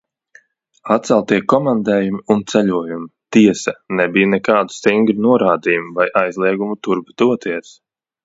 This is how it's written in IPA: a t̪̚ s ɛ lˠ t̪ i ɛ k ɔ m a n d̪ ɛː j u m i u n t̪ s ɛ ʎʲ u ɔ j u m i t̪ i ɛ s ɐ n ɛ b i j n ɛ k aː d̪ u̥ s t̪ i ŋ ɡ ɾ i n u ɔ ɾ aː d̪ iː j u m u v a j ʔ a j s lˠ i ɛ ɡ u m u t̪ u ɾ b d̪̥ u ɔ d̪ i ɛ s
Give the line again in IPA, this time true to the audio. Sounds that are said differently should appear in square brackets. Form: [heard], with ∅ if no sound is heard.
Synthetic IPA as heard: a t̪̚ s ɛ lˠ t̪ i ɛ k ɔ m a n d̪ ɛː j u m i u n t̪ s ɛ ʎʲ u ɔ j u m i t̪ i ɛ s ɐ n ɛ b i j n ɛ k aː d̪ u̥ s t̪ i ŋ ɡ ɾ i n u ɔ ɾ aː d̪ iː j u m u v a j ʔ a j [z] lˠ i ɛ ɡ u m u t̪ u ɾ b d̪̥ u ɔ [t̪] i ɛ s